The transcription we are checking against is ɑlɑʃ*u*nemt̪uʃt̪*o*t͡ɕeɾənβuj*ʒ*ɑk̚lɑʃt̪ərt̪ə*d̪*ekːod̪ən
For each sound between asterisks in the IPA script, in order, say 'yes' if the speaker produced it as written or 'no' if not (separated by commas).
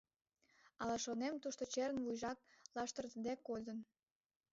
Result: no, yes, yes, yes